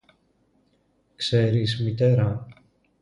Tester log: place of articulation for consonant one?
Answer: velar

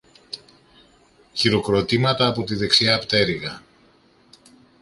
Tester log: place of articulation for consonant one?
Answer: palatal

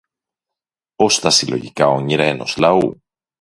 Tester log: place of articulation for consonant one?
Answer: alveolar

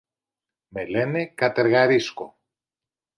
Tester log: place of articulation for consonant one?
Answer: labial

